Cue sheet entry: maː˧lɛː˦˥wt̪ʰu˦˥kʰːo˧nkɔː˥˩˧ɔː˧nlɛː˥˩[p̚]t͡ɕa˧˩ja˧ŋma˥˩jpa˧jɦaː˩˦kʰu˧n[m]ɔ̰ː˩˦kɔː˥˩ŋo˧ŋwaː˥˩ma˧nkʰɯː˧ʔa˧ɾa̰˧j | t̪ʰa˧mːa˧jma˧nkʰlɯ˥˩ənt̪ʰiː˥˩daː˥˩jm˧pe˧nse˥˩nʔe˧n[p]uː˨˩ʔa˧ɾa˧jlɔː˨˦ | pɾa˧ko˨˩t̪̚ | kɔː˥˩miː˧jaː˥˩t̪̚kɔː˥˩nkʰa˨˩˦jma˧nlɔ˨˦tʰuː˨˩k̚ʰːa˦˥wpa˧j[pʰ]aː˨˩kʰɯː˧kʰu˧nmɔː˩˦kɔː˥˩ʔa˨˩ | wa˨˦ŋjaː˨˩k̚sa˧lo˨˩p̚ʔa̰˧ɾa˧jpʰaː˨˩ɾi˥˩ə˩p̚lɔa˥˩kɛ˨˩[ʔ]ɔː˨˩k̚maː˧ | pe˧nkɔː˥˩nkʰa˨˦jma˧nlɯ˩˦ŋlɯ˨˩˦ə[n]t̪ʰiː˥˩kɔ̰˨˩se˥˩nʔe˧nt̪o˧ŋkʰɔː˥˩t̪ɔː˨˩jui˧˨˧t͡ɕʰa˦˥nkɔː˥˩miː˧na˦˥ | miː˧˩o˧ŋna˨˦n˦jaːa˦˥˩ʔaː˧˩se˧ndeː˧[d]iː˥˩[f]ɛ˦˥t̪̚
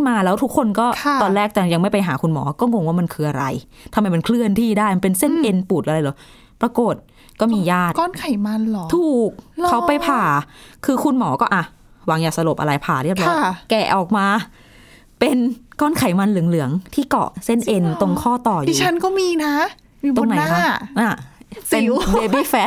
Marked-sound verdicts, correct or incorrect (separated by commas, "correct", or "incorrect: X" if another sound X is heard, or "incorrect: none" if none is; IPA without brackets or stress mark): incorrect: k̚, correct, correct, correct, correct, incorrect: ŋ, incorrect: b, correct